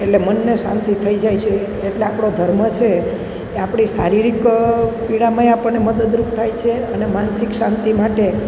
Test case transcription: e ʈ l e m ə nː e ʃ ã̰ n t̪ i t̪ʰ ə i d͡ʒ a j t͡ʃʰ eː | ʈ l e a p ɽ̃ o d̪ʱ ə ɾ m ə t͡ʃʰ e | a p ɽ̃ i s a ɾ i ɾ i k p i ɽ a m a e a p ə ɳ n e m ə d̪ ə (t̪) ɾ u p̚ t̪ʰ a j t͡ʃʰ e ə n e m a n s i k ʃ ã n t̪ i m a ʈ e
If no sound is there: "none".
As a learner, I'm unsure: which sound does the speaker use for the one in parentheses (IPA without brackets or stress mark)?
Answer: d̪